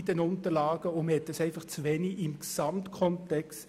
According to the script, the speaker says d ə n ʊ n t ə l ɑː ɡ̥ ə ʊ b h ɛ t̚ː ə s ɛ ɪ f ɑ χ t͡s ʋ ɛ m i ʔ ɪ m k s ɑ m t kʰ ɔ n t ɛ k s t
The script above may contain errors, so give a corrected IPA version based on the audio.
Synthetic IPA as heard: d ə n ʊ n t ə l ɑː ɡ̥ ə ʊ m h ɛ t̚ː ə s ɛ ɪ f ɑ χ t͡s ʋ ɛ n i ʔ ɪ m k s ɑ m t kʰ ɔ n t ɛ k s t